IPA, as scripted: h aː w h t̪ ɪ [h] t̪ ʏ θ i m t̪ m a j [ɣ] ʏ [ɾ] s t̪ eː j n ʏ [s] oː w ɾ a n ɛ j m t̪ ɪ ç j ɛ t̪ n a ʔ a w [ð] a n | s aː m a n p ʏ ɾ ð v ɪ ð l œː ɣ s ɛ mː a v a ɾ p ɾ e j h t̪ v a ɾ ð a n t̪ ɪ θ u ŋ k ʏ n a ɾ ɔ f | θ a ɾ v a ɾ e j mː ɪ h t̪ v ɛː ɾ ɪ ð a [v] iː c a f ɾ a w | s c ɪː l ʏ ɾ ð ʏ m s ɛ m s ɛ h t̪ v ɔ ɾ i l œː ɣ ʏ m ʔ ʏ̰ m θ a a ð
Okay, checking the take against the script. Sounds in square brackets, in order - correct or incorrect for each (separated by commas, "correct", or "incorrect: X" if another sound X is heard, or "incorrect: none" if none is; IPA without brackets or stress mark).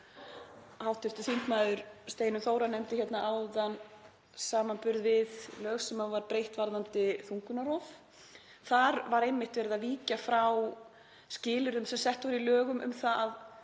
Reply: incorrect: f, incorrect: ð, correct, incorrect: θ, correct, correct